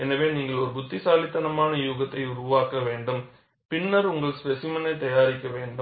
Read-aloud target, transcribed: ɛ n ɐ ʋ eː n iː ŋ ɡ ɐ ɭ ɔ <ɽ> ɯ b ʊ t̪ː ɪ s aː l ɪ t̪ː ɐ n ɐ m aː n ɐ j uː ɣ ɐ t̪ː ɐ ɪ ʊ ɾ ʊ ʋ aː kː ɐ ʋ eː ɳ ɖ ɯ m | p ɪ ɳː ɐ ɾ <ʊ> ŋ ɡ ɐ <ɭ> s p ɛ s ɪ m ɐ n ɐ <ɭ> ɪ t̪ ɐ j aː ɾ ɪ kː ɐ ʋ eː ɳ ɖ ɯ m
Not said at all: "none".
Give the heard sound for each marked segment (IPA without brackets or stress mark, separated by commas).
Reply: ɾ, ʊ, ɭ, none